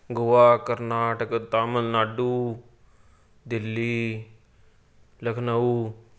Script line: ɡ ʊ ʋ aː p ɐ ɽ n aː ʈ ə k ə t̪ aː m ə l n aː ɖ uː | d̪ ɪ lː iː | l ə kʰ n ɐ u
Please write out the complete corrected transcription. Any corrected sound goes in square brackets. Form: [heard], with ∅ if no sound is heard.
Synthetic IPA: ɡ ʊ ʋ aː [k] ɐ [ɾ] n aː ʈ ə k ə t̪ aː m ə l n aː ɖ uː | d̪ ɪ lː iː | l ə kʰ n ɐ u